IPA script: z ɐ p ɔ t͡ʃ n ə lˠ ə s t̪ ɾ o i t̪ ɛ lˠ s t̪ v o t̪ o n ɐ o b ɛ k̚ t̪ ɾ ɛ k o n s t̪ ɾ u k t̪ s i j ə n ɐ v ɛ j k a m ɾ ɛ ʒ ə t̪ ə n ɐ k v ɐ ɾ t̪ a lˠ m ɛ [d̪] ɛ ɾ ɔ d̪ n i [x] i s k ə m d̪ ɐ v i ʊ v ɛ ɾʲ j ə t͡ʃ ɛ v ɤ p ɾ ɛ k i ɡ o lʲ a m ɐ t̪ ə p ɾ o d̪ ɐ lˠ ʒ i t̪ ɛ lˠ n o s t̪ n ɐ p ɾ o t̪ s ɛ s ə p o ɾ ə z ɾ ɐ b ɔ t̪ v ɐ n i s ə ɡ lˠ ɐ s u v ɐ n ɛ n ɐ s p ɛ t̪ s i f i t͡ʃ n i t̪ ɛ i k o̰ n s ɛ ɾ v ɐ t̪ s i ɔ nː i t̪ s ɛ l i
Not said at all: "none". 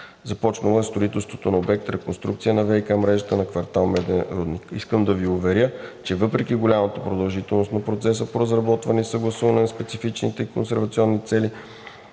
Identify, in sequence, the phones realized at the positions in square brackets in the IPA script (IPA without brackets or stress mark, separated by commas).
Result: d̪, k